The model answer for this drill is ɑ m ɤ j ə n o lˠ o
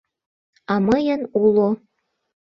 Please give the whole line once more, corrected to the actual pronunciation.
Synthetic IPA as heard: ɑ m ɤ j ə n u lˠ o